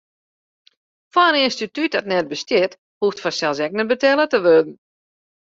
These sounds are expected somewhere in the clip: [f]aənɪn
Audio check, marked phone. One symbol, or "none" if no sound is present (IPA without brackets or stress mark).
f